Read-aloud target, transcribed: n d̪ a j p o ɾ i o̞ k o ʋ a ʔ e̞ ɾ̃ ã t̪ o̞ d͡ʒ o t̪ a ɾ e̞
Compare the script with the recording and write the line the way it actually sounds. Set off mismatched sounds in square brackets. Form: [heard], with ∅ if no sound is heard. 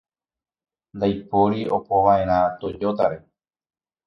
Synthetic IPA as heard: n d̪ a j p o ɾ i o̞ [p] o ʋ a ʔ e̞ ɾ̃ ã t̪ o̞ d͡ʒ o t̪ a ɾ e̞